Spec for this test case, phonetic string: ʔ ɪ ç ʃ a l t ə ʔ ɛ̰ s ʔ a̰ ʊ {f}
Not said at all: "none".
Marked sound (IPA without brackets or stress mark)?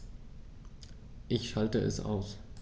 s